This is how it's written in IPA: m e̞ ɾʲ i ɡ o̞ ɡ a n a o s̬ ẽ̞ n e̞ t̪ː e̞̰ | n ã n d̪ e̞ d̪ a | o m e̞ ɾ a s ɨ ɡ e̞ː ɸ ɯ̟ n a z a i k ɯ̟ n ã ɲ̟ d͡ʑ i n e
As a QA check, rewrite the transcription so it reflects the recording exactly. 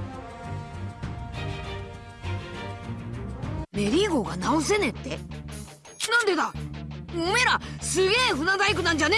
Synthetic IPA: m e̞ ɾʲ i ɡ o̞ ɡ a n a o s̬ e̞ n e̞ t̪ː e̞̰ | n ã n d̪ e̞ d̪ a | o m e̞ ɾ a s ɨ ɡ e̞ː ɸ ɯ̟ n a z a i k ɯ̟ n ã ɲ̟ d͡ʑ a n e